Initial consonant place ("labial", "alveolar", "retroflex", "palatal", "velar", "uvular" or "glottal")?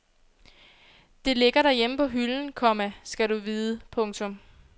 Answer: alveolar